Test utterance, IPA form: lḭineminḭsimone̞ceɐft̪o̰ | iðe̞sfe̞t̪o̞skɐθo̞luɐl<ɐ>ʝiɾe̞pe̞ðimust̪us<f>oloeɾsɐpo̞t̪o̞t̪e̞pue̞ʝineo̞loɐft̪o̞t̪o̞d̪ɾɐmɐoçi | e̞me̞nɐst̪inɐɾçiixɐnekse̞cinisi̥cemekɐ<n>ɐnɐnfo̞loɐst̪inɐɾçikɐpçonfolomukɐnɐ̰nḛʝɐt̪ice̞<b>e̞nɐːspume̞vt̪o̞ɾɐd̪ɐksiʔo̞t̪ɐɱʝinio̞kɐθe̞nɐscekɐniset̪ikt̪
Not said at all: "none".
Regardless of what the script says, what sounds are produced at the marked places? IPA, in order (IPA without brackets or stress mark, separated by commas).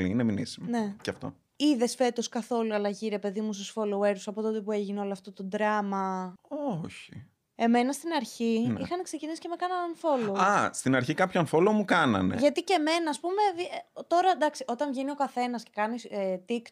ɐ, f, n, m